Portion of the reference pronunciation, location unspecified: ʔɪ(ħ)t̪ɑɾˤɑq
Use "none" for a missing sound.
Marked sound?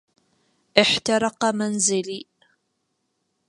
ħ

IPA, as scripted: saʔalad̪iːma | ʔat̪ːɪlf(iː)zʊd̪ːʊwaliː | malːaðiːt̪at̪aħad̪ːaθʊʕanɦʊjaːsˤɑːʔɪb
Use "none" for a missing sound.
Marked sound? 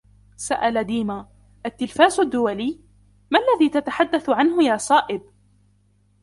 aː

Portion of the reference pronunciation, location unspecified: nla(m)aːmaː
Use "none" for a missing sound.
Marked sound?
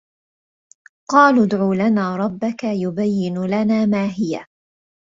n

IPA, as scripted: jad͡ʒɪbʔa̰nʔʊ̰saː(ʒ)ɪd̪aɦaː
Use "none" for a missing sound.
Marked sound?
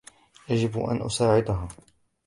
ʕ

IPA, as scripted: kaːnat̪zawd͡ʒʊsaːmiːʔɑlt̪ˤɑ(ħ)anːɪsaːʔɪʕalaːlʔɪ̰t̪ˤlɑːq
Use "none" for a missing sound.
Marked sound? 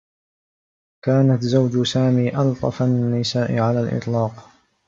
f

